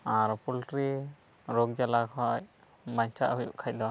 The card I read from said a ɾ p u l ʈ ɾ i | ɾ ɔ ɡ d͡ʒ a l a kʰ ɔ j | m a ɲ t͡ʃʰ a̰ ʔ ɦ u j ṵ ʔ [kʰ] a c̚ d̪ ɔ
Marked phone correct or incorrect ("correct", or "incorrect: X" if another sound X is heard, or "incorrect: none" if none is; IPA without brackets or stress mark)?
correct